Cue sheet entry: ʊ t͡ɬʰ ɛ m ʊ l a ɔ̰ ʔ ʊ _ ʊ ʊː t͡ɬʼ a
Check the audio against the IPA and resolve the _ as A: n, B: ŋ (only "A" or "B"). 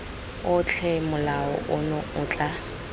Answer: A